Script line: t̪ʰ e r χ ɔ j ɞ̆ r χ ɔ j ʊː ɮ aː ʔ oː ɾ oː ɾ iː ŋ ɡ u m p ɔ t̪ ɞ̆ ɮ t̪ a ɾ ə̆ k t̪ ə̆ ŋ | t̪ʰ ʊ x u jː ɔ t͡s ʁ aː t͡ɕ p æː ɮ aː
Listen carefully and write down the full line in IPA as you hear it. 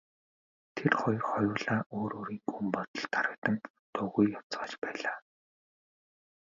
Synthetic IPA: t̪ʰ e r χ ɔ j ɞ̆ r χ ɔ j ʊː ɮ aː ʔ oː ɾ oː ɾ iː ŋ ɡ u m p ɔ t̪ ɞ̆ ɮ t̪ a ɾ ə̆ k t̪ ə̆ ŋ | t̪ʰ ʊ ɣ u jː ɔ t͡s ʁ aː t͡ɕ p æː ɮ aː

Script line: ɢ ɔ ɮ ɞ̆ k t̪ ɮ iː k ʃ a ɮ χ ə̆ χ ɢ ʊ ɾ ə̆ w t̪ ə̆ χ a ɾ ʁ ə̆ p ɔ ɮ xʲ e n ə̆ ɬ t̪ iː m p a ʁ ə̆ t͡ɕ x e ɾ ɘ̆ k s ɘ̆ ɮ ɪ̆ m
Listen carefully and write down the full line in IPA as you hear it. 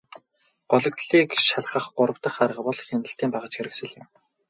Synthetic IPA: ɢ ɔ ɮ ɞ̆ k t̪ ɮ iː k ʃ a ɮ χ ə̆ χ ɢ ʊ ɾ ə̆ w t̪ ə̆ χ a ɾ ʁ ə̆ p ɔ ɮ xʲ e n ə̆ ɬ t̪ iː m p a ʁ ə̆ t͡ɕ x e ɾ ɘ̆ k s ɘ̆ ɮ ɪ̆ m

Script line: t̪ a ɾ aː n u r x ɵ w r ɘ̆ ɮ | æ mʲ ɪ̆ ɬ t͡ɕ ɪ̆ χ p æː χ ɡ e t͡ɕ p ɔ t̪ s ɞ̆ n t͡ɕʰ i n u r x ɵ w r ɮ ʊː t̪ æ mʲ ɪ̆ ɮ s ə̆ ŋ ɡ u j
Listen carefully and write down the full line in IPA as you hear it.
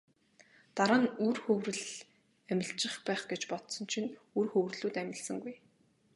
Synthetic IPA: t̪ a ɾ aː n u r x ɵ w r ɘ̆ ɮ | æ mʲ ɪ̆ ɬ t͡ɕ ɪ̆ χ p æː χ ɡ e t͡ɕ p ɔ t̪ s ɞ̆ n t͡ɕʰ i n u r x ɵ w r ɮ uː t̪ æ mʲ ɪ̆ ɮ s ə̆ ŋ ɡ u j

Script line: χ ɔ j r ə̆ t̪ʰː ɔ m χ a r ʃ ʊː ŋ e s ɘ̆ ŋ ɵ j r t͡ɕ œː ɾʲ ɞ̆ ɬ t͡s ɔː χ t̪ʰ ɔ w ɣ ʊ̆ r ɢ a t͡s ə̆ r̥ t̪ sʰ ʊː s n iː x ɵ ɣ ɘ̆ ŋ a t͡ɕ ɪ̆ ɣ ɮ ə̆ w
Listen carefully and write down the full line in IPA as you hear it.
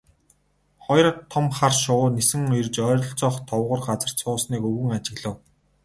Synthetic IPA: χ ɔ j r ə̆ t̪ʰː ɔ m χ a r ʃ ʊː n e s ɘ̆ ŋ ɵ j r t͡ɕ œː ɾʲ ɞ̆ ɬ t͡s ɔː χ t̪ʰ ɔ w ʁ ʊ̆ r ɢ a t͡s ə̆ r̥ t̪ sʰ ʊː s n iː k ɵ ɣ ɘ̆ ŋ a t͡ɕ ɪ̆ ɣ ɮ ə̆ w

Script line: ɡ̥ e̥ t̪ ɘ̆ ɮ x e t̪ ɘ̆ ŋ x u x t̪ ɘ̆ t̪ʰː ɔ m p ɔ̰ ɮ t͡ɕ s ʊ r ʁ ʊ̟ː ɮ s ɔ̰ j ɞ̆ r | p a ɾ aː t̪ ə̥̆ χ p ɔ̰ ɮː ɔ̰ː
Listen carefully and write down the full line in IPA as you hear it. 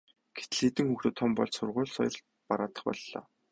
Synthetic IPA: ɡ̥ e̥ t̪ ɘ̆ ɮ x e t̪ ɘ̆ ŋ x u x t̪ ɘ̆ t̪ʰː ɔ m p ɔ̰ ɮ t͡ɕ s ʊ r ʁ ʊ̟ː ɮ s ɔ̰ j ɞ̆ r | p a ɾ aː t̪ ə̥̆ χ p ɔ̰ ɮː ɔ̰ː

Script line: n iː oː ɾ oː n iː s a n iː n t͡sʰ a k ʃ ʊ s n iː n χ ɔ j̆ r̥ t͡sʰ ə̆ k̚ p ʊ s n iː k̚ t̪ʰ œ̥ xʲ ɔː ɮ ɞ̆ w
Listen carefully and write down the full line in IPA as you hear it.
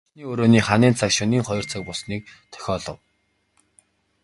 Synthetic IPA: n iː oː ɾ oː n iː χ a n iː n t͡sʰ a k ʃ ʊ n iː ŋ χ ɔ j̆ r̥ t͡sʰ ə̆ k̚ p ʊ s n iː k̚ t̪ʰ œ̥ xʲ ɔː ɮ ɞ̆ w

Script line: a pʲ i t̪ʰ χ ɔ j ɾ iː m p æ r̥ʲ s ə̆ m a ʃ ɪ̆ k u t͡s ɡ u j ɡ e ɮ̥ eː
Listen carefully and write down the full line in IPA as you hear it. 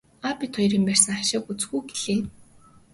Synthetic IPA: a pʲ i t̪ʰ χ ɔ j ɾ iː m p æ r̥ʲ s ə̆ ŋ a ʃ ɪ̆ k u t͡s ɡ u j ɡ e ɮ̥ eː

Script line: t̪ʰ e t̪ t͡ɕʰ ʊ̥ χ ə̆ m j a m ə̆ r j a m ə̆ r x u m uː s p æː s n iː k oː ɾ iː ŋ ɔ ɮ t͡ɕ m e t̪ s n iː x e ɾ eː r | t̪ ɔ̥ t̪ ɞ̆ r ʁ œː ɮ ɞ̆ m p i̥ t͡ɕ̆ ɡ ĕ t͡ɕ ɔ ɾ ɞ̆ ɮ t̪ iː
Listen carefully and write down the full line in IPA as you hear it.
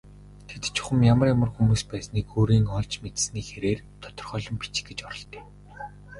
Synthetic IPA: t̪ʰ e t̪ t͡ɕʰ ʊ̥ χ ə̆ m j a m ə̆ r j a m ə̆ r x u m uː s p æː s n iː k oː ɾ iː ŋ ɔ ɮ t͡ɕ m e t̪ s n iː x e ɾ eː r | t̪ʰ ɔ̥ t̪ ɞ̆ r χ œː ɮ ɞ̆ m p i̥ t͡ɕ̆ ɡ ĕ t͡ɕ ɔ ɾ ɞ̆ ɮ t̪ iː

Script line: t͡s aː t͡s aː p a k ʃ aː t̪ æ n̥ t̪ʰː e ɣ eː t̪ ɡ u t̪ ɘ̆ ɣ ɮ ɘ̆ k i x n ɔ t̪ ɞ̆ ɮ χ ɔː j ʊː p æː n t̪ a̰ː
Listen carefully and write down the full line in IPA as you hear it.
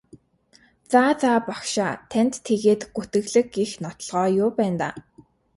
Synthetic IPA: t͡s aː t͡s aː p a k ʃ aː t̪ʰ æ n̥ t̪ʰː e ɣ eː t̪ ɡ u t̪ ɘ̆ ɣ ɮ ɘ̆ k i x n ɔ t̪ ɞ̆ ɮ ʁ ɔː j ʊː p æː n t̪ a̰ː

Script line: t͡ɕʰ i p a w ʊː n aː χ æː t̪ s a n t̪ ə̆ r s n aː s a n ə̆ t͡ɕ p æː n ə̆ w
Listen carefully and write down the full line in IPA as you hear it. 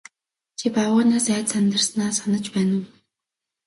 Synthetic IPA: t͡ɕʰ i p a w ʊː n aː s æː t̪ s a n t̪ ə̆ r s n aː s a n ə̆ t͡ɕ p æː n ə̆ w

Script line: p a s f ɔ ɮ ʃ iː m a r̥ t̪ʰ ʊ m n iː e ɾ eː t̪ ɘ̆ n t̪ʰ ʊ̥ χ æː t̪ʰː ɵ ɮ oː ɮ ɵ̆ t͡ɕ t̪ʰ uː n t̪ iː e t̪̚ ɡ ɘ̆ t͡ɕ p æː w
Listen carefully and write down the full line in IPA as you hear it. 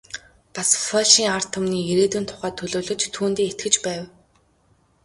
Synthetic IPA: p a s f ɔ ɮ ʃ iː ŋ a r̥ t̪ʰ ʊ m n iː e ɾ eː t̪ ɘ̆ n t̪ʰ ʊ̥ χ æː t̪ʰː ɵ ɮ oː ɮ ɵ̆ t͡ɕ t̪ʰ uː n t̪ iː e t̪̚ ɡ ɘ̆ t͡ɕ p æː w

